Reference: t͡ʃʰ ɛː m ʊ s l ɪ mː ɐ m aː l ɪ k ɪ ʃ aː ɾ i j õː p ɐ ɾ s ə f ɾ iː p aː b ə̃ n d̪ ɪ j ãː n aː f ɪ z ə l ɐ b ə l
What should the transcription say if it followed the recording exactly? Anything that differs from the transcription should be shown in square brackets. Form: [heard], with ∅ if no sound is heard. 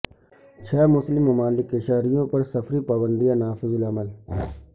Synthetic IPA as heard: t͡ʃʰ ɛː m ʊ s l ɪ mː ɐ m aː l ɪ k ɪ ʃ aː ɾ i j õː p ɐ ɾ s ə f ɾ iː p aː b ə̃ n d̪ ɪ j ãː n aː f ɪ z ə l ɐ [m] ə l